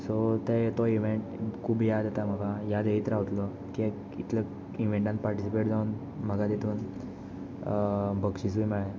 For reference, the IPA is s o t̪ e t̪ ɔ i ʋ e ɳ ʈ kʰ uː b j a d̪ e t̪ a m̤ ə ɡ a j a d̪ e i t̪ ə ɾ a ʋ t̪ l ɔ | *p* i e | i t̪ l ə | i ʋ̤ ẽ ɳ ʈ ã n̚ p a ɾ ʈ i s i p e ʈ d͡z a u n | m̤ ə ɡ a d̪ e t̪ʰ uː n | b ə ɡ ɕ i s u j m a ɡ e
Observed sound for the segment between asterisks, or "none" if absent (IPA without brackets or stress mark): k